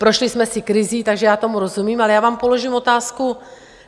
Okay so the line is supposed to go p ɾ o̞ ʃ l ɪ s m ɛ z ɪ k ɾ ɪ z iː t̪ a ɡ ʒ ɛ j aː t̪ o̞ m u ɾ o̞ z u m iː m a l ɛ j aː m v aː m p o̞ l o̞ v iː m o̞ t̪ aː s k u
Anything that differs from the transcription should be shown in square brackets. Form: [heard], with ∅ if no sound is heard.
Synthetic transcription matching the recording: p ɾ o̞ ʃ l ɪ s m ɛ [s] ɪ k ɾ ɪ z iː t̪ a ɡ ʒ ɛ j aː t̪ o̞ m u ɾ o̞ z u m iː m a l ɛ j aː [∅] v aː m p o̞ l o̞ [ʒ] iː m o̞ t̪ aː s k u